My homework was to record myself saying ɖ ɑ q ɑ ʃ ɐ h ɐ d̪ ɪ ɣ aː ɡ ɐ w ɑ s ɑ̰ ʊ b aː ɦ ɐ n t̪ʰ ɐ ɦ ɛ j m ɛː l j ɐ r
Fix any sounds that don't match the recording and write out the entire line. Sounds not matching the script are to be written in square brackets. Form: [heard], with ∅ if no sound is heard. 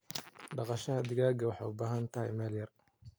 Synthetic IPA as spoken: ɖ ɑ q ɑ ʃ ɐ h ɐ d̪ ɪ ɣ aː ɡ ɐ w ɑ [ħ] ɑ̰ ʊ b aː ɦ ɐ n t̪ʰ ɐ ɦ ɛ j m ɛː l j ɐ r